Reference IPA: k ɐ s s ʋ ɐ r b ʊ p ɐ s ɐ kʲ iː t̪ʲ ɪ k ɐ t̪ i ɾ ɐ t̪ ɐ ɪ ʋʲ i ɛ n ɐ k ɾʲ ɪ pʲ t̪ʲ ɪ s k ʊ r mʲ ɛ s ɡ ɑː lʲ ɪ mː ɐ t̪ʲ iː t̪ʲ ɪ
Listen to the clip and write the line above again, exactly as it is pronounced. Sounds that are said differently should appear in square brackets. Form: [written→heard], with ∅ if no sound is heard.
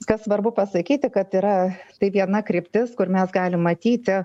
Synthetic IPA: k ɐ s s ʋ ɐ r b ʊ p ɐ s ɐ kʲ iː t̪ʲ ɪ k ɐ t̪ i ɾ ɐ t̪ ɐ ɪ ʋʲ i ɛ n ɐ k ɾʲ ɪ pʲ t̪ʲ ɪ s k ʊ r mʲ ɛ s ɡ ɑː lʲ ɪ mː ɐ t̪ʲ iː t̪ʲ ɪ